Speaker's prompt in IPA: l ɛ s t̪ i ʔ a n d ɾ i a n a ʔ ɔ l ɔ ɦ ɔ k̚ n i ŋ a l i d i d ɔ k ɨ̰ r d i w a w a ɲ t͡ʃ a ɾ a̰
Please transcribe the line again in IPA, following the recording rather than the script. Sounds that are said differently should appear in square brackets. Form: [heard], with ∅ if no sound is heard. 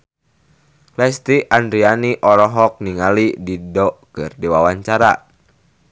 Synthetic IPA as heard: l ɛ s t̪ i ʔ a n d ɾ i a n [i] ʔ ɔ [ɾ] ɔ ɦ ɔ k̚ n i ŋ a l i d i d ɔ k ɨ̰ r d i w a w a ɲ t͡ʃ a ɾ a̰